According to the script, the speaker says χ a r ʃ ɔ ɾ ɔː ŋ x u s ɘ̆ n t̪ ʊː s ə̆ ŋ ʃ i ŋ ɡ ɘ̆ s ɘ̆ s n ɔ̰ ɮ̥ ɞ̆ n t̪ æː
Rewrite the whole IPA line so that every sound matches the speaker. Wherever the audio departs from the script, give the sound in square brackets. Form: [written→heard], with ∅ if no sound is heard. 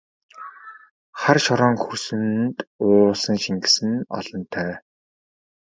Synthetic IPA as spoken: χ a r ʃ ɔ ɾ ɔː ŋ x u s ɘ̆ n t̪ ʊː s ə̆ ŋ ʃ i ŋ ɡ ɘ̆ s ɘ̆ [s→∅] n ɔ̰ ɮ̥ ɞ̆ n [t̪→t̪ʰ] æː